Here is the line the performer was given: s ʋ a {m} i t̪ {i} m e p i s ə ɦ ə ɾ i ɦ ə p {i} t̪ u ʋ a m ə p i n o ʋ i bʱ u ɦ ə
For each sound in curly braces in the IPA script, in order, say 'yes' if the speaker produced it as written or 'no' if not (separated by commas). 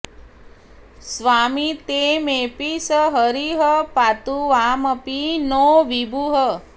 yes, no, no